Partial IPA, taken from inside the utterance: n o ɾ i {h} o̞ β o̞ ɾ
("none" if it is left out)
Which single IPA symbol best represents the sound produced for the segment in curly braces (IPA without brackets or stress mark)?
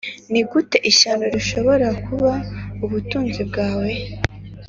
ʃ